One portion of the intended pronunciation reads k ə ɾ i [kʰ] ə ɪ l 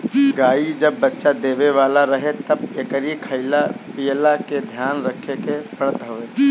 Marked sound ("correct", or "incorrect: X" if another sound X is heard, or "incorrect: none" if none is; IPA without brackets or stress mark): correct